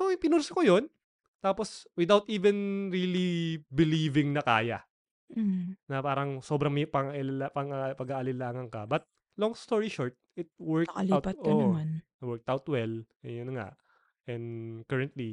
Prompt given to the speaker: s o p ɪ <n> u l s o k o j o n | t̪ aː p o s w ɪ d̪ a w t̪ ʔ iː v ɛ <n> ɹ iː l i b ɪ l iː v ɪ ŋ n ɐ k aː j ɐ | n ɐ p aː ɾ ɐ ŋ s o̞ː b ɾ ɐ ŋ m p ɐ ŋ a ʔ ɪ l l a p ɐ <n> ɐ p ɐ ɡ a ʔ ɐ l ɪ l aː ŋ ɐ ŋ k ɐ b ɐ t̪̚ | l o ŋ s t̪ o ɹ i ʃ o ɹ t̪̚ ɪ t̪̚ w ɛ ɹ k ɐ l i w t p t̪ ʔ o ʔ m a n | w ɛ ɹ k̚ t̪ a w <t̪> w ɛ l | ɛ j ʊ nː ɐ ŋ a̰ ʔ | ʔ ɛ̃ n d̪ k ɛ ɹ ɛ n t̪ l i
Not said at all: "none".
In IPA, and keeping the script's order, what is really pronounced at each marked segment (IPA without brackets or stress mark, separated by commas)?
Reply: n, n, ŋ, t̪